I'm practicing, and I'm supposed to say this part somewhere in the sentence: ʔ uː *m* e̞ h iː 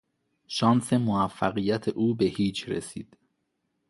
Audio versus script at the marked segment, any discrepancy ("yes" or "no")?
yes